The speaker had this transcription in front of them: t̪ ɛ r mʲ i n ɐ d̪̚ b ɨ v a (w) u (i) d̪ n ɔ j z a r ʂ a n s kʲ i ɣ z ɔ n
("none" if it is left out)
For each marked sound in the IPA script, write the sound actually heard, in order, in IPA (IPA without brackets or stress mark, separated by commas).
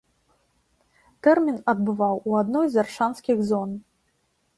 w, a